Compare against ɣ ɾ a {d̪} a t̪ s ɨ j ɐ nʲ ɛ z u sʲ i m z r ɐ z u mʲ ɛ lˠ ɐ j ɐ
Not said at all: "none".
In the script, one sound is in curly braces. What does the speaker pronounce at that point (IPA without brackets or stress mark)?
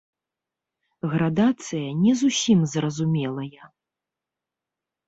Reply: d̪